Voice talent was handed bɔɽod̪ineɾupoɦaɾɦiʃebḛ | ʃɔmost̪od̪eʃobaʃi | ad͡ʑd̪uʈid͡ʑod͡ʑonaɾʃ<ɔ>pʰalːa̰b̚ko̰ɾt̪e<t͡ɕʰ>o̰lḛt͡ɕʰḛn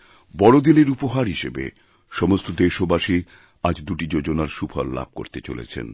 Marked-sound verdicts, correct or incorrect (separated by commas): incorrect, incorrect